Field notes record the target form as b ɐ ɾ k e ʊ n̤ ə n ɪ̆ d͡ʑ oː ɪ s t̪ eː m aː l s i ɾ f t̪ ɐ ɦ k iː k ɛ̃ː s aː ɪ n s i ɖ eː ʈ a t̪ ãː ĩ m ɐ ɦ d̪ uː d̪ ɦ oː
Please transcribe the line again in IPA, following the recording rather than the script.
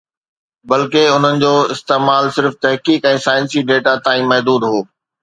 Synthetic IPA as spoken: b ɐ l k e ʊ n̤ ə n ɪ̆ d͡ʑ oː ɪ s t̪ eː m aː l s ɪ ɾ f t̪ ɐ ɦ k iː k ɛ̃ː s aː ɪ n s i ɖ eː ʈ a t̪ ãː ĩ m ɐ ɦ d̪ uː d̪ ɦ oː